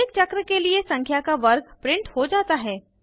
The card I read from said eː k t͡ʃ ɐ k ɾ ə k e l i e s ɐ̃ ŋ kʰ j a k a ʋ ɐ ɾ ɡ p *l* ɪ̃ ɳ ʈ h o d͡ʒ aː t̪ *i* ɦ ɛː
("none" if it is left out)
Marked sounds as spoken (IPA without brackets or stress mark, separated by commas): ɾ, a